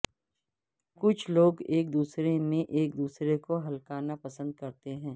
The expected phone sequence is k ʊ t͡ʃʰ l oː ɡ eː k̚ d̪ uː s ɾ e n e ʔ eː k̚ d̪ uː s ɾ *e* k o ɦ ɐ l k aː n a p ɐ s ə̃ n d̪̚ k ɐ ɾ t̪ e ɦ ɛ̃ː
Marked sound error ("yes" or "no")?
no